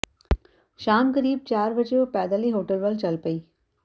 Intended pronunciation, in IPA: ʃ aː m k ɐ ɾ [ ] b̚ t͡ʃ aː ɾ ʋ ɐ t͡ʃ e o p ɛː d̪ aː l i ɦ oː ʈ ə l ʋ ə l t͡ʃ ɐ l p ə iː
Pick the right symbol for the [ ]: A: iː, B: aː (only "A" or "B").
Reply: A